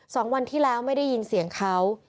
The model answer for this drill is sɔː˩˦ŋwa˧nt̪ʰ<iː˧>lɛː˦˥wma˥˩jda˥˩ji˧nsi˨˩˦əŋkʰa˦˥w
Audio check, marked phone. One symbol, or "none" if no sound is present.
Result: iː˥˩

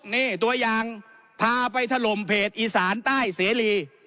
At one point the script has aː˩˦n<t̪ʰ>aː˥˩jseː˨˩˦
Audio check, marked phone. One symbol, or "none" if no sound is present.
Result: t̪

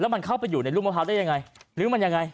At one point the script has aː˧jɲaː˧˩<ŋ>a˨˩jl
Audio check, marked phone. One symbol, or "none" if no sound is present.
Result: ŋ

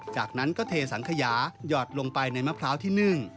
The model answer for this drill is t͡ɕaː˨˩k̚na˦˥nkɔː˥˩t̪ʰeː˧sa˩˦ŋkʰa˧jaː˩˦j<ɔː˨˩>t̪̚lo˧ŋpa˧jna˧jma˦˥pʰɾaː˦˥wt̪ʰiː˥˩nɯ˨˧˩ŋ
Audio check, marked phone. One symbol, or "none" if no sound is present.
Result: ɔː˨˩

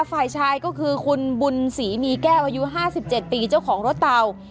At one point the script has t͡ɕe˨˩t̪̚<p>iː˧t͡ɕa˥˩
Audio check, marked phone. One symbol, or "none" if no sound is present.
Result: p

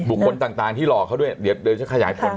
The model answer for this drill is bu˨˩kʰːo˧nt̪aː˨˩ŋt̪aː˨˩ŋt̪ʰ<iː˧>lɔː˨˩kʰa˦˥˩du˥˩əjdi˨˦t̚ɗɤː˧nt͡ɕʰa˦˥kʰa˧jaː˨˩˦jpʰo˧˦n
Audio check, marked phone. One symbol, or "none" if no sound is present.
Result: iː˥˩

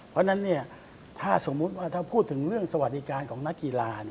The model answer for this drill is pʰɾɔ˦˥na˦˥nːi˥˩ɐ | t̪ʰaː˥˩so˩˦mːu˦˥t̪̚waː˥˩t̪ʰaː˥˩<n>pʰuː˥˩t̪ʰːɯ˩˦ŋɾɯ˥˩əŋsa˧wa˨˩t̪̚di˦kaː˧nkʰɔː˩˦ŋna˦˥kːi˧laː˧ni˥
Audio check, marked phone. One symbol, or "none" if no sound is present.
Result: none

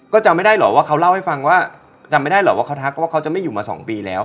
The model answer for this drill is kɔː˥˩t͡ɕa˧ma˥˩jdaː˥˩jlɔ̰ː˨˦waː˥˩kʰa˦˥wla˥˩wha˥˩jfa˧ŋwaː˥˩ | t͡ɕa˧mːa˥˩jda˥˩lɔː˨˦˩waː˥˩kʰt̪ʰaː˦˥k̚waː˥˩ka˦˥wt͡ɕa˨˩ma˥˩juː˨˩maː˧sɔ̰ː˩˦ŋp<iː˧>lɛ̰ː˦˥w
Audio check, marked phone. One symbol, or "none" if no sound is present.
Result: iː˧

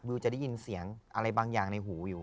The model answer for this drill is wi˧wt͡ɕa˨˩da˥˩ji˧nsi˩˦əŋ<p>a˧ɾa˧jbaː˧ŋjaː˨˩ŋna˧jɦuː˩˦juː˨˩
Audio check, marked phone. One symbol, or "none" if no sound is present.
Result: ʔ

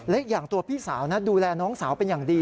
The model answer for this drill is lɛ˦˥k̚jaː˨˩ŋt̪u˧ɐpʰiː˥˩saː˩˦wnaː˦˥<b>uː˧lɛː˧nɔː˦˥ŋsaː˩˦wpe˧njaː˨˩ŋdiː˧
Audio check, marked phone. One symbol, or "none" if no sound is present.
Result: d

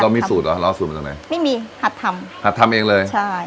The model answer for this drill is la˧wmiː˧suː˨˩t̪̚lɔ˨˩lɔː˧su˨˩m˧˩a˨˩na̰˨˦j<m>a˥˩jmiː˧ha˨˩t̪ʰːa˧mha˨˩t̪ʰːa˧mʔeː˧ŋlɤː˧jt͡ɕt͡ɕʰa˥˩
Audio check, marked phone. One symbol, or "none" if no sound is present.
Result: m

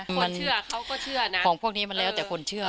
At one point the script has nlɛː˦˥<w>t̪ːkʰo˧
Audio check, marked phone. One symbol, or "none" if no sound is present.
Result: w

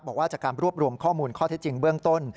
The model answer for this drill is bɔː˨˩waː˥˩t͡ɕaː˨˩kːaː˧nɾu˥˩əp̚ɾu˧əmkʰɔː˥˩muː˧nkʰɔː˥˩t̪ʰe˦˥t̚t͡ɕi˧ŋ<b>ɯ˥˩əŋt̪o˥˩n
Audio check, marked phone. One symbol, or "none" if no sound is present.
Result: b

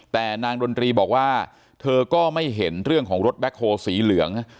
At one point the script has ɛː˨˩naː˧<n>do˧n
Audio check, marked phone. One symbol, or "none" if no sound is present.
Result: ŋ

